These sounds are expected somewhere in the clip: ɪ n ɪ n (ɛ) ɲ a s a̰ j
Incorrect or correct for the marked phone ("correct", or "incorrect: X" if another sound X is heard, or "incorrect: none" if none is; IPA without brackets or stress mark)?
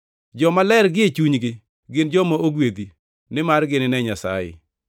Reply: correct